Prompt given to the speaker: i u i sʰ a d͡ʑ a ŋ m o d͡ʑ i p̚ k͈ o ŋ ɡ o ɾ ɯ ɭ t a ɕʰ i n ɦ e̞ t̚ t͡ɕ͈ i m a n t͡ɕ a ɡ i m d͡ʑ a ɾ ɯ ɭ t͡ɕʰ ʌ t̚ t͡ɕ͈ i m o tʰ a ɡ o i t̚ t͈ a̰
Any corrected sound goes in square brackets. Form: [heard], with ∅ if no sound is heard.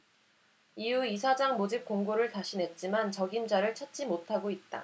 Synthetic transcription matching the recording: i u i sʰ a d͡ʑ a ŋ m o d͡ʑ i p̚ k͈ o ŋ ɡ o ɾ ɯ ɭ t a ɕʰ i n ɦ e̞ t̚ t͡ɕ͈ i m a n t͡ɕ [ʌ] ɡ i m d͡ʑ a ɾ ɯ ɭ t͡ɕʰ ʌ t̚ t͡ɕ͈ i m o tʰ a ɡ o i t̚ t͈ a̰